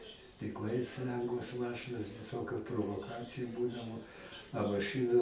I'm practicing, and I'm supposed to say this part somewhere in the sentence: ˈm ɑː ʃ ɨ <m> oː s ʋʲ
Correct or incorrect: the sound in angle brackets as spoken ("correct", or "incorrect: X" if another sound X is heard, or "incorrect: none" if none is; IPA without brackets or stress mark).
incorrect: n